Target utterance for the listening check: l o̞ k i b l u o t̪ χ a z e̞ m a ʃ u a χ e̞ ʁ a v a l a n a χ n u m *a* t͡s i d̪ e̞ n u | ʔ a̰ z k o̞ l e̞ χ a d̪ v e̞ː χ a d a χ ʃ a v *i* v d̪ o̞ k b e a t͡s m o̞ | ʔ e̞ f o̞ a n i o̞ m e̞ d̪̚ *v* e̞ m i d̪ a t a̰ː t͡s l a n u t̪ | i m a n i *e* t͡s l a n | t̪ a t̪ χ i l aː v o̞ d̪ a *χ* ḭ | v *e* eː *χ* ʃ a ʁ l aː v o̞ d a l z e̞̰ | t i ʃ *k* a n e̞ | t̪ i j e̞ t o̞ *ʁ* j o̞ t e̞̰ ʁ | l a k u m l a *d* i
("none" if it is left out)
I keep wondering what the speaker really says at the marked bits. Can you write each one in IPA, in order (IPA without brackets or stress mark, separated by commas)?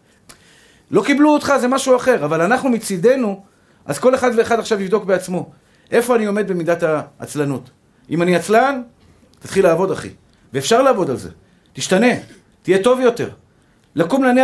i, i, b, a, χ, e, f, t, v, n